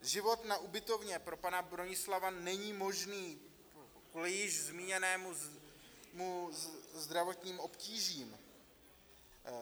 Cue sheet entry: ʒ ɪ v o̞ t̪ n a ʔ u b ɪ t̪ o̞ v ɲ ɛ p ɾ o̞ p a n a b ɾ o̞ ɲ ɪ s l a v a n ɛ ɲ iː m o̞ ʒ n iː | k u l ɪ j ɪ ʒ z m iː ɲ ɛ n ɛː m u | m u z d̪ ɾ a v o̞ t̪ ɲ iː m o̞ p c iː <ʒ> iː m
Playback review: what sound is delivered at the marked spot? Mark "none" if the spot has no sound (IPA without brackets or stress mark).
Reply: ʒ